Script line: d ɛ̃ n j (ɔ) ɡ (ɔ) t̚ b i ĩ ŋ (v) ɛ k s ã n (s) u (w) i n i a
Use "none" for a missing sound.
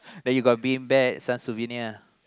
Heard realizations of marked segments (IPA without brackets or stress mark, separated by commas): u, ɔ, b, s, v